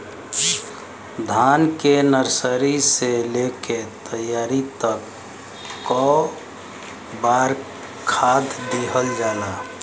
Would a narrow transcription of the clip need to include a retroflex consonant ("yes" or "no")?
no